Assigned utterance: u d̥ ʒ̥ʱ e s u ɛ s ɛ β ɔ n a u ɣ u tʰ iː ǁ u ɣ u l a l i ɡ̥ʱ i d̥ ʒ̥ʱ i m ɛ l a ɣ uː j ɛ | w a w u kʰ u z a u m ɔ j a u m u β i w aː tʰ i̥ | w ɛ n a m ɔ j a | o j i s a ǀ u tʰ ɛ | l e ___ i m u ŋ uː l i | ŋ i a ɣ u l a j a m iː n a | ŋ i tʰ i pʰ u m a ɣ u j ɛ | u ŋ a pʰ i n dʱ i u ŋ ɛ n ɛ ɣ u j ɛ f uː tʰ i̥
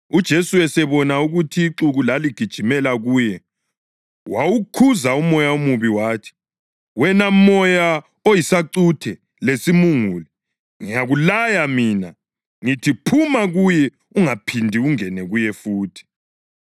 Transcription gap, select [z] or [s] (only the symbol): s